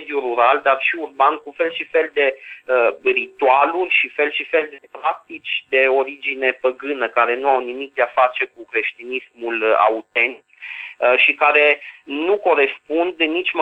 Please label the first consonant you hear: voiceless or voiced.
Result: voiced